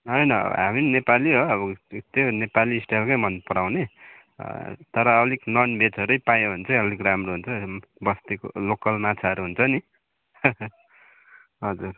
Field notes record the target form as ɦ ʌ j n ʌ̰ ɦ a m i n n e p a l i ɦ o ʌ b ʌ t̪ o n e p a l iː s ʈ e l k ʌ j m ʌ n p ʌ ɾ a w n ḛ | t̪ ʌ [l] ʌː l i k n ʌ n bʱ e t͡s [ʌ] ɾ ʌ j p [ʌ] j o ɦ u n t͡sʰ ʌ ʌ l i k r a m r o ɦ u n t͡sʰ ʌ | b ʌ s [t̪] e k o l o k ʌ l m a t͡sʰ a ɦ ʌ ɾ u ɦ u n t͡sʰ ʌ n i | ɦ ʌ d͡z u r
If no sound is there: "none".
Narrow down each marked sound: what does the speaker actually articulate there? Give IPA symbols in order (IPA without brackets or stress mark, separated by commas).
ɾ, ʌ, a, t̪